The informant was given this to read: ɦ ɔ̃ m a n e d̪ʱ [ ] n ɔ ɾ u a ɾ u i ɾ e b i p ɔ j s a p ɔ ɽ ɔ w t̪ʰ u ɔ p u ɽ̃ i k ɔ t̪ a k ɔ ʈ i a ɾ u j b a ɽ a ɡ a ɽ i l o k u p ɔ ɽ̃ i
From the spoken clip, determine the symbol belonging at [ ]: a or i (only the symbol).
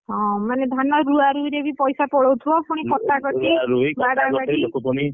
a